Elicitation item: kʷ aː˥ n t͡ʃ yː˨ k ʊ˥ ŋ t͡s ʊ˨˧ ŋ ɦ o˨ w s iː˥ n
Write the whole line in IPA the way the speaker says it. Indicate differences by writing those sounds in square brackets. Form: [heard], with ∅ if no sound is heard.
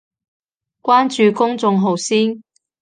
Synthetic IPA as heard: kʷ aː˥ n t͡ʃ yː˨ k ʊ˥ ŋ t͡s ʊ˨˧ ŋ ɦ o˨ w s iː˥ n